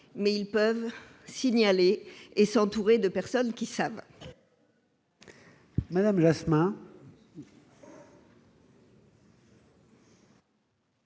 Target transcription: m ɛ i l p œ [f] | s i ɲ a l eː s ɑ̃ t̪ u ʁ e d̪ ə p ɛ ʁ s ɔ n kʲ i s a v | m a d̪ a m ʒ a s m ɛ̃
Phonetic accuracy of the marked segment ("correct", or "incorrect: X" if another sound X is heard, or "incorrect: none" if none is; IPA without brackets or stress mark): incorrect: v